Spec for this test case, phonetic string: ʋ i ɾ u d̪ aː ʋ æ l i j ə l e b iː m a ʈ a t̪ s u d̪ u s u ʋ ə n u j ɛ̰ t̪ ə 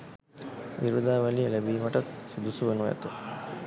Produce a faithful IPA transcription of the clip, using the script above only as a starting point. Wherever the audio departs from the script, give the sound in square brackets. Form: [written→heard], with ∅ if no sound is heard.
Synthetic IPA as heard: ʋ i ɾ u d̪ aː ʋ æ l i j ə l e b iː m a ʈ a t̪ s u d̪ u s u ʋ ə n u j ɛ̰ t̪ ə